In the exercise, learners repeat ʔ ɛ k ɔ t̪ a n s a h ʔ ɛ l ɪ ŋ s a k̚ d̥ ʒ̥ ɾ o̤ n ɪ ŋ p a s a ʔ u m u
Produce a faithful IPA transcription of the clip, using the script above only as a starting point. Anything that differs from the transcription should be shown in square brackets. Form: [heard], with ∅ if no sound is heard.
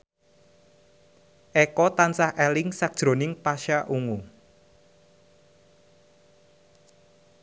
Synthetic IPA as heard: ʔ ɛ k ɔ t̪ a n s a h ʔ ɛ l ɪ ŋ s a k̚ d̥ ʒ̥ ɾ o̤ n ɪ ŋ p a [ʃ] a ʔ u [ŋ] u